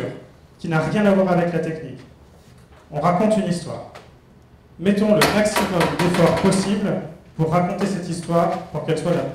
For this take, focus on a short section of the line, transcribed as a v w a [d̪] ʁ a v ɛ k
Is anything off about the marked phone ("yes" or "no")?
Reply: yes